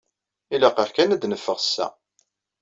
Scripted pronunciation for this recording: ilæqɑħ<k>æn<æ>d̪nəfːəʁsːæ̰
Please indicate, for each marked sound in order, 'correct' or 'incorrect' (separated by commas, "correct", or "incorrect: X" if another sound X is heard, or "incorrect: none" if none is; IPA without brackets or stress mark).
correct, correct